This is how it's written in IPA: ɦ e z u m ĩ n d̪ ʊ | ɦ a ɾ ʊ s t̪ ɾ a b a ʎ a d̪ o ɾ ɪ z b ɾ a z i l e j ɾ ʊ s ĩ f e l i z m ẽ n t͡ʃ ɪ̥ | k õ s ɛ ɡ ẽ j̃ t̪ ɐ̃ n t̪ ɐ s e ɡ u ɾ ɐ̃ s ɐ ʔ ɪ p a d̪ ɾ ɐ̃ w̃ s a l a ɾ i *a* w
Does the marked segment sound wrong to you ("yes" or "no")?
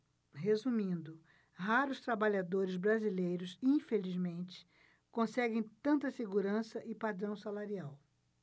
no